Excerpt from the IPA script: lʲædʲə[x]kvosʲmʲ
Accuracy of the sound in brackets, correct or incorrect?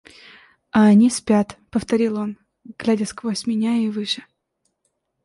incorrect